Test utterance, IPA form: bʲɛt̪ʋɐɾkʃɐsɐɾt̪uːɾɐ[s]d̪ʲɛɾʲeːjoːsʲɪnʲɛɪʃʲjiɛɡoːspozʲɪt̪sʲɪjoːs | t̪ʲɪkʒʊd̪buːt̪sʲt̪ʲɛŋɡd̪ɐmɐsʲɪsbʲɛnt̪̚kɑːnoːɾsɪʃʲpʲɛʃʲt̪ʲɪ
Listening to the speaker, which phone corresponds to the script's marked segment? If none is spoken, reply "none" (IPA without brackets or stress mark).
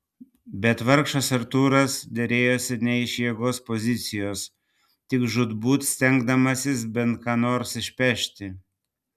s